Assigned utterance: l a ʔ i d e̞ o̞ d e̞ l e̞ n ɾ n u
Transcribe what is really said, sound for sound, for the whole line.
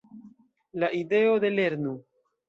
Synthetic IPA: l a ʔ i d e̞ o̞ d e̞ l e̞ ɾ n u